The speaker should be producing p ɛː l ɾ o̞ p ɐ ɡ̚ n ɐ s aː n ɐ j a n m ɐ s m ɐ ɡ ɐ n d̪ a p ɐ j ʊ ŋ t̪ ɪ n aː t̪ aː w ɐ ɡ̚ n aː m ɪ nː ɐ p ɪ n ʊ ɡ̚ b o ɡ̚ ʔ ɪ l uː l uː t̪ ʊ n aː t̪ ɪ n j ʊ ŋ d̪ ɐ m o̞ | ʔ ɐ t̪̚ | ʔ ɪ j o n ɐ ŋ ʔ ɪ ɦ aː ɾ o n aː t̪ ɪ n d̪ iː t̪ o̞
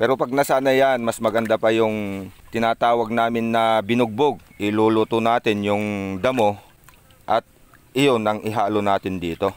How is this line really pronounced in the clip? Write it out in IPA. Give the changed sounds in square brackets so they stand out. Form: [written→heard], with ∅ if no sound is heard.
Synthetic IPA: p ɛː [l→∅] ɾ o̞ p ɐ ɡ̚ n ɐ s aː n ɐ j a n m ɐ s m ɐ ɡ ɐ n d̪ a p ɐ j ʊ ŋ t̪ ɪ n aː t̪ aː w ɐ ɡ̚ n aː m ɪ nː ɐ [p→b] ɪ n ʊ ɡ̚ b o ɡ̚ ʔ ɪ l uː l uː t̪ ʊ n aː t̪ ɪ n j ʊ ŋ d̪ ɐ m o̞ | ʔ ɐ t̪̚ | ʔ ɪ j o n ɐ ŋ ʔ ɪ ɦ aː [ɾ→l] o n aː t̪ ɪ n d̪ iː t̪ o̞

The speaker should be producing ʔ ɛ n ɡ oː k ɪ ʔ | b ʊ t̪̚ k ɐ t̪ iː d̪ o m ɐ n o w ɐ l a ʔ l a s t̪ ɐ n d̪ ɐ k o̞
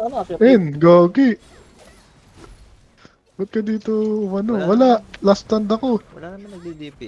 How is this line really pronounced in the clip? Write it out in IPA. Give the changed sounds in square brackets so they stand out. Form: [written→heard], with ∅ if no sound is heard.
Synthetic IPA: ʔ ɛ n ɡ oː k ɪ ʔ | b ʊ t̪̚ k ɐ [t̪→d̪] iː [d̪→t̪] o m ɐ n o w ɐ l a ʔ l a s t̪ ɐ n d̪ ɐ k o̞

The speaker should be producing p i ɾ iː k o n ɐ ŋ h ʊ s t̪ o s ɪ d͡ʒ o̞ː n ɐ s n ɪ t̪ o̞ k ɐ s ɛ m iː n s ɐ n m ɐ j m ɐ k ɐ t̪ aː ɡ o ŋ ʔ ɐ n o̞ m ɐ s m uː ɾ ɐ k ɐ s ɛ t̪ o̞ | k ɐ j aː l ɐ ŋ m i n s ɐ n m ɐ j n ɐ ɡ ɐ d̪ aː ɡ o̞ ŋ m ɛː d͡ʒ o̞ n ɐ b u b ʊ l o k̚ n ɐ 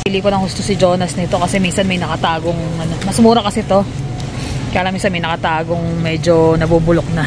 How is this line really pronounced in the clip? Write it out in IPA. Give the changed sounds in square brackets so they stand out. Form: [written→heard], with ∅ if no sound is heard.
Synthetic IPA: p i [ɾ→l] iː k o n ɐ ŋ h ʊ s t̪ o s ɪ d͡ʒ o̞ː n ɐ s n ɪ t̪ o̞ k ɐ s ɛ m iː n s ɐ n m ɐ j [m→n] ɐ k ɐ t̪ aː ɡ o ŋ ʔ ɐ n o̞ m ɐ s m uː ɾ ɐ k ɐ s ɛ t̪ o̞ | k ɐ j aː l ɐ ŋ m i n s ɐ n m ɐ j n ɐ [ɡ→k] ɐ [d̪→t̪] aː ɡ o̞ ŋ m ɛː d͡ʒ o̞ n ɐ b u b ʊ l o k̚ n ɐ

